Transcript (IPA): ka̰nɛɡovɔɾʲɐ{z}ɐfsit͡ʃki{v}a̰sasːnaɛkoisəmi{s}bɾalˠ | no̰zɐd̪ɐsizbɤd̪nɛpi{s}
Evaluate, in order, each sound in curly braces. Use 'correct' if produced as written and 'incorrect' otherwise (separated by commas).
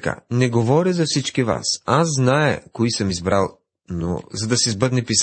correct, correct, incorrect, correct